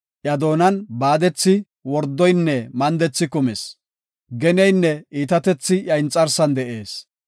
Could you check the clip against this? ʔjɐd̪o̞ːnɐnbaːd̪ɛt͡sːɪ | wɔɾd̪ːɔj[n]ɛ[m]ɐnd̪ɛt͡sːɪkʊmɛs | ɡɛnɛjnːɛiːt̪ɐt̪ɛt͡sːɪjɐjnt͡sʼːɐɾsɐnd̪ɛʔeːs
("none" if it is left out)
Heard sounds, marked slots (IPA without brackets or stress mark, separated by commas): nː, m